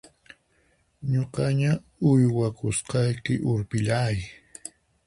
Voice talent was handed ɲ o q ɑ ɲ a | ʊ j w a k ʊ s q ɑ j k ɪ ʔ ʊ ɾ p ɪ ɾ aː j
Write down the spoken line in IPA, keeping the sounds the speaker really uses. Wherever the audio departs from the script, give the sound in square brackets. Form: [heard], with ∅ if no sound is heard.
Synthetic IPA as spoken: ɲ o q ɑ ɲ a | ʊ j w a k ʊ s q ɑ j k ɪ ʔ ʊ ɾ p ɪ [ʎ] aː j